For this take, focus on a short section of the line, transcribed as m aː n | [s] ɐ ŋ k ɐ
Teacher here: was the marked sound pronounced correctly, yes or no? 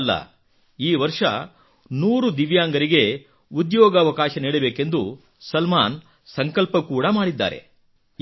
yes